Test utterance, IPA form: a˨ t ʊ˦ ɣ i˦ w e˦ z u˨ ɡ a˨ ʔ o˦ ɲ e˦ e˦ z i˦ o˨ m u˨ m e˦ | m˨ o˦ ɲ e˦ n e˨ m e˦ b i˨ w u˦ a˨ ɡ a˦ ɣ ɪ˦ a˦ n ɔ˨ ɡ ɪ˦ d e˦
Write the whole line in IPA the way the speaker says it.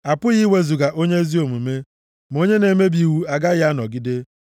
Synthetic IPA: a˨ p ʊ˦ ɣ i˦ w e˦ z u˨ ɡ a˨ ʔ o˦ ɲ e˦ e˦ z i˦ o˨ m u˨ m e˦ | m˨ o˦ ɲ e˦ n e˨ m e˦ b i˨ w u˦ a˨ ɡ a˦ ɣ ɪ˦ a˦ n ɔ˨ ɡ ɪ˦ d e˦